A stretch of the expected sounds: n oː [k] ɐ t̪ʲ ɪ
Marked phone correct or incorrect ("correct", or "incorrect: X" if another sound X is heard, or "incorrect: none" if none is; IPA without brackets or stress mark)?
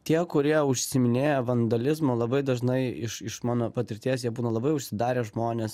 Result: incorrect: p